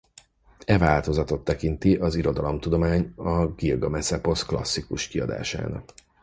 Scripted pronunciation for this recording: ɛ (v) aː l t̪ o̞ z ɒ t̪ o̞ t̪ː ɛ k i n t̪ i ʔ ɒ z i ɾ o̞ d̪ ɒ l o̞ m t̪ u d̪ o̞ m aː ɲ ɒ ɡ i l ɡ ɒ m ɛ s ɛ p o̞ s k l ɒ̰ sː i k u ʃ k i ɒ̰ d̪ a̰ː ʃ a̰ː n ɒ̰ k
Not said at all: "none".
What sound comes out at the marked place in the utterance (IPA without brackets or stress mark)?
v